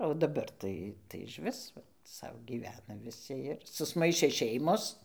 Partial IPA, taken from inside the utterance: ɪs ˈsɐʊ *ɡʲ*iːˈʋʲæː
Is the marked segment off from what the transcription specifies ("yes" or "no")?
no